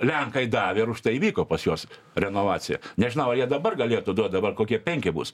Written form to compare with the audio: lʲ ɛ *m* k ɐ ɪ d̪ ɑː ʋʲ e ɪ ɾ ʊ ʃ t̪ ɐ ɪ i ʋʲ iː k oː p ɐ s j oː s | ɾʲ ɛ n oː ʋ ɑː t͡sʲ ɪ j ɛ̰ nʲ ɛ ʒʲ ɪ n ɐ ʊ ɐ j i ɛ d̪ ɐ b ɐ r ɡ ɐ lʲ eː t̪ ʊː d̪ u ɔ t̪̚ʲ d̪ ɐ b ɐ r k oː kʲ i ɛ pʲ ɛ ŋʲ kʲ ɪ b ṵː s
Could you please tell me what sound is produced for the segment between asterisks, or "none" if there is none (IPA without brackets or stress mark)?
ŋ